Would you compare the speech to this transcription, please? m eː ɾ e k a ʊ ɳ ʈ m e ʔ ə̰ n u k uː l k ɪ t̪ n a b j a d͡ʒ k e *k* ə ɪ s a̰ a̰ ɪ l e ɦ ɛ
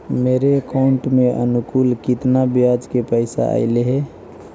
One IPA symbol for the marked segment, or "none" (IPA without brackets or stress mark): p